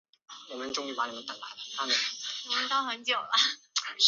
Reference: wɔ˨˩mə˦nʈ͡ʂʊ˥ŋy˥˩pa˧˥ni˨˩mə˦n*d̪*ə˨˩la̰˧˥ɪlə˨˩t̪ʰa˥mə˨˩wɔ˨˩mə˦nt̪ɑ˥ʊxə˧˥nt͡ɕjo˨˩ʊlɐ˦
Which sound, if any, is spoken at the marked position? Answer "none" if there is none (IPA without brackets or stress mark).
t̪